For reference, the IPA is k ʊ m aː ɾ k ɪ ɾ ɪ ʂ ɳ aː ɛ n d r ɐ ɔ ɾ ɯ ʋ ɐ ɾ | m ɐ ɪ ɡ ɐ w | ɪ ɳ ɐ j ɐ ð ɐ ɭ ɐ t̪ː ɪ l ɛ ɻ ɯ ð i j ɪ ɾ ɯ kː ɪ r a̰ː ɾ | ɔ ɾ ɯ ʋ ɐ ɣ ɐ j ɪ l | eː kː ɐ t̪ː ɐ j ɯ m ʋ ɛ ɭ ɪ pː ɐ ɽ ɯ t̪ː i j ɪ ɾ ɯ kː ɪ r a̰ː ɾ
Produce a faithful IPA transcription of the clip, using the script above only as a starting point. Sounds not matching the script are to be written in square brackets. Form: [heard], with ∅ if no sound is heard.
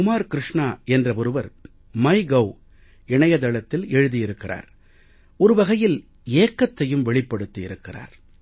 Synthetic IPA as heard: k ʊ m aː ɾ k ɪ ɾ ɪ ʂ ɳ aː ɛ n d r ɐ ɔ ɾ ɯ ʋ ɐ ɾ | m ɐ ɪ ɡ ɐ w | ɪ ɳ ɐ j ɐ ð ɐ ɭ ɐ t̪ː ɪ l ɛ ɻ ɯ ð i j ɪ ɾ ɯ kː ɪ r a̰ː ɾ | ɔ ɾ ɯ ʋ ɐ ɣ ɐ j ɪ l | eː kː ɐ t̪ː ɐ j ɯ m ʋ ɛ ɭ ɪ pː ɐ ɽ ɯ t̪ː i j ɪ ɾ ɯ kː ɪ r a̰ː ɾ